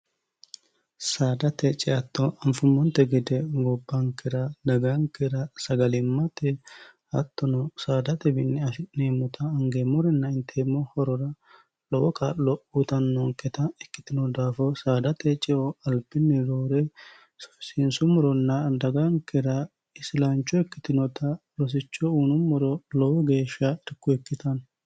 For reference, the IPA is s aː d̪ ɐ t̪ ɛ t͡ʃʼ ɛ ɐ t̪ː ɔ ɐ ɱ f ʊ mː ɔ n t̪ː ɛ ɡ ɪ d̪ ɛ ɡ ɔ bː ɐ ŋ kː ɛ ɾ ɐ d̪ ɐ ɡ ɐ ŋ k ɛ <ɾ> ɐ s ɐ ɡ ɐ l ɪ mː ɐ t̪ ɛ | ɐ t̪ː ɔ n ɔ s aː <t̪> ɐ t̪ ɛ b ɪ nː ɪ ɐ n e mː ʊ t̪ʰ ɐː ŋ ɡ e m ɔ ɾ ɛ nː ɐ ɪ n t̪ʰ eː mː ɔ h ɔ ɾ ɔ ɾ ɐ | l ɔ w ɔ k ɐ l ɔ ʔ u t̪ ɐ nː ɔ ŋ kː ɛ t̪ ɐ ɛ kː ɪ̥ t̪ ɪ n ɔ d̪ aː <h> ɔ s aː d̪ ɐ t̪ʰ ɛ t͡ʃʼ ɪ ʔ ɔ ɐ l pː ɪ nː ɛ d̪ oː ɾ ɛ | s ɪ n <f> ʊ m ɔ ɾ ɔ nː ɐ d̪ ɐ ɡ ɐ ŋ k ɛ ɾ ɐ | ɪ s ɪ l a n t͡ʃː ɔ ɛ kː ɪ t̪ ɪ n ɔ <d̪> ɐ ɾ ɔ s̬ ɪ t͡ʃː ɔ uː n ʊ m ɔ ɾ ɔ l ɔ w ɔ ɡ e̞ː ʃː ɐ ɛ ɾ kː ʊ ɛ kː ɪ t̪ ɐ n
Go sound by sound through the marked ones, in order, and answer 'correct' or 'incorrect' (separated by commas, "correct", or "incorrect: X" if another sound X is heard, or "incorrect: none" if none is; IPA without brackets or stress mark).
correct, incorrect: d̪, incorrect: f, incorrect: s, incorrect: t̪